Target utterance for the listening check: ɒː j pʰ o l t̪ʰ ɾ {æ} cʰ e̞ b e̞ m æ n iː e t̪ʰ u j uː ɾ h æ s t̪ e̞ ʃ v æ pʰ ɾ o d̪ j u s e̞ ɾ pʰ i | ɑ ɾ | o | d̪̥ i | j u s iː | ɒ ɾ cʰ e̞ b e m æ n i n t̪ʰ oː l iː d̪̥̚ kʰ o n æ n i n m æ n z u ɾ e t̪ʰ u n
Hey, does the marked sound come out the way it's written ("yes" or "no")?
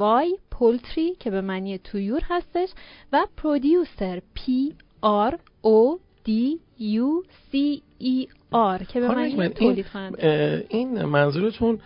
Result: no